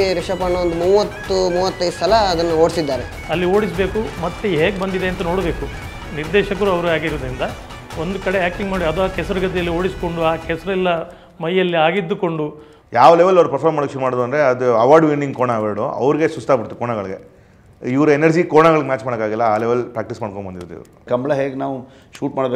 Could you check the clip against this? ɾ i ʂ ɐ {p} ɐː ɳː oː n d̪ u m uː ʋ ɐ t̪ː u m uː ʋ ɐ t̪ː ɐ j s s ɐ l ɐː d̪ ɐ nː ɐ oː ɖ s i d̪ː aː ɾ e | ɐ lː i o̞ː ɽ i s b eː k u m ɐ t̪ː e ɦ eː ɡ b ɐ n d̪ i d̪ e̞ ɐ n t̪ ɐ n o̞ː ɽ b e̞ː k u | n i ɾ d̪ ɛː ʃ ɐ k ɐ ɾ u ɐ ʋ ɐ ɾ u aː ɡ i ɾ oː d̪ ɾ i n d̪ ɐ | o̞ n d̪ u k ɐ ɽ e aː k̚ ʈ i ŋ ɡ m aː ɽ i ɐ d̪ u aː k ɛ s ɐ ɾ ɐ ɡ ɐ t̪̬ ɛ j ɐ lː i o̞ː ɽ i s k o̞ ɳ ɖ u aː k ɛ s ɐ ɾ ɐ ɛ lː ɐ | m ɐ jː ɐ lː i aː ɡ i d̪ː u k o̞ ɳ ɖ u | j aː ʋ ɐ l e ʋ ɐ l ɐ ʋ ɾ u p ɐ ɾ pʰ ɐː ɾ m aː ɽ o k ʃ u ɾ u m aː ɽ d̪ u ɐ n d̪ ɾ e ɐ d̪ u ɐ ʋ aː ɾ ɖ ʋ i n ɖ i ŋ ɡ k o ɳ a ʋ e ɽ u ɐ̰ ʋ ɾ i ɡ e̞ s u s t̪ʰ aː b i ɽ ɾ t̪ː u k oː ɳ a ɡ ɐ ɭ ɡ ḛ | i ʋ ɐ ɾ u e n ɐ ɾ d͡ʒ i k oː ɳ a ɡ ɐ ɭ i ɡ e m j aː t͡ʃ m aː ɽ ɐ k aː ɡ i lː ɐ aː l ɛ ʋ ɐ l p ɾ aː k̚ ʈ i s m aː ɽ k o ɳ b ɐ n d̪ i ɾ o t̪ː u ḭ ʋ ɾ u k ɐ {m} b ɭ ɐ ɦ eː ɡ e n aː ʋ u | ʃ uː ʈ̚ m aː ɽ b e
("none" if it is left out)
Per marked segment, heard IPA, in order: p, m

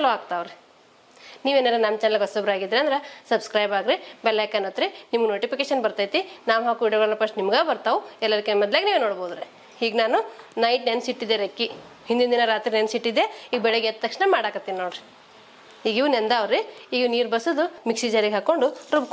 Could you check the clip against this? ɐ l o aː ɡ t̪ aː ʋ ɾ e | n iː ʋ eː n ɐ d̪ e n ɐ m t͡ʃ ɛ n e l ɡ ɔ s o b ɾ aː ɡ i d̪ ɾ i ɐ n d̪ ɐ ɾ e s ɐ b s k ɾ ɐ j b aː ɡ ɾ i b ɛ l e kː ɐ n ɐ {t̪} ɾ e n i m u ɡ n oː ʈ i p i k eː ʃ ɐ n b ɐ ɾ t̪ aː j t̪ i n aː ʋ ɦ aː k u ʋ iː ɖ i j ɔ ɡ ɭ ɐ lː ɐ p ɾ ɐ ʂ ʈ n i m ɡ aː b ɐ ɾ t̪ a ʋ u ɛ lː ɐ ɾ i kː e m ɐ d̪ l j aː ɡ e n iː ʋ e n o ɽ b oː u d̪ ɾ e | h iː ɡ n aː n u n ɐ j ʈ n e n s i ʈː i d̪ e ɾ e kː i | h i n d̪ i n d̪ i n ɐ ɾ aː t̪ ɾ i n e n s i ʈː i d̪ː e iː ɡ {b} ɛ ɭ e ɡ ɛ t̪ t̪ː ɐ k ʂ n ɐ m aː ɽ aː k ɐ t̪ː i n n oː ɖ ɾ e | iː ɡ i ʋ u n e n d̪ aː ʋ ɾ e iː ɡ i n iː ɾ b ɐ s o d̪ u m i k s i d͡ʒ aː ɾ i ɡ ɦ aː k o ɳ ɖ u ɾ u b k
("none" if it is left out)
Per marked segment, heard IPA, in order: t̪, b

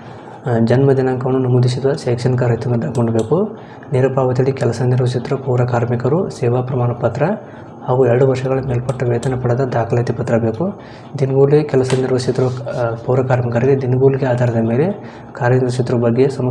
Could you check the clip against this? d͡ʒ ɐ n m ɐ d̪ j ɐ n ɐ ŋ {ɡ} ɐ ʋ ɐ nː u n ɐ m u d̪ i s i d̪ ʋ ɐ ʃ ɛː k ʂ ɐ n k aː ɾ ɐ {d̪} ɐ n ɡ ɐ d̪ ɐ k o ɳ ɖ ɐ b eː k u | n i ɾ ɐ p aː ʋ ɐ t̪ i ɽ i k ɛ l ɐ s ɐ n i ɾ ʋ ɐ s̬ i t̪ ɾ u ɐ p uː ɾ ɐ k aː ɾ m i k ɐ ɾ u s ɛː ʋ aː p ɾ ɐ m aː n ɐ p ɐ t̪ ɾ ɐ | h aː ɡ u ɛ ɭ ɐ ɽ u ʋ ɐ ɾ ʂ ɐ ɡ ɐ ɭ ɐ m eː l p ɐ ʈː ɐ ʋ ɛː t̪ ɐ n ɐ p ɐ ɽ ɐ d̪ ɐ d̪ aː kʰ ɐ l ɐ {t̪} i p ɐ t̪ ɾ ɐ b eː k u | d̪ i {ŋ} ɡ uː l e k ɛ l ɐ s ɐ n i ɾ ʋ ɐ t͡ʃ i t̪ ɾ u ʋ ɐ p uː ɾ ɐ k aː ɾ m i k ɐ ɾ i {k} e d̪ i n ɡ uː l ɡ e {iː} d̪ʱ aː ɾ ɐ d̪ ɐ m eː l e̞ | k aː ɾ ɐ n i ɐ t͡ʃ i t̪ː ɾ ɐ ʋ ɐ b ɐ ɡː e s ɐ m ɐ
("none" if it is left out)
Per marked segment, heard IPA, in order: k, t̪, t̪, n, ɡ, aː

